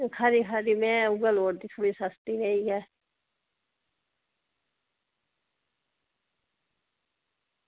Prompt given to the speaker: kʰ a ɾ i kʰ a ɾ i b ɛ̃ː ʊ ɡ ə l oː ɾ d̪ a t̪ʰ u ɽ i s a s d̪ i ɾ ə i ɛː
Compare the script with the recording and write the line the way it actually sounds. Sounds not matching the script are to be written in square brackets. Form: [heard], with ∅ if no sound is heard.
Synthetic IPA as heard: kʰ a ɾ i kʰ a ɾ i [m] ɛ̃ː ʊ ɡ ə l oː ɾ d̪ [i] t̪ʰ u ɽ i s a s [t̪] i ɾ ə i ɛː